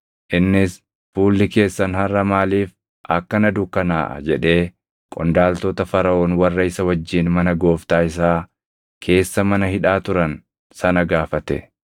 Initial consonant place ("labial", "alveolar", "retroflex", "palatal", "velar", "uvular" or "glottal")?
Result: glottal